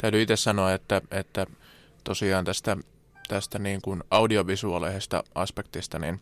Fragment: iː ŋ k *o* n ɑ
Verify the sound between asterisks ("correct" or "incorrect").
incorrect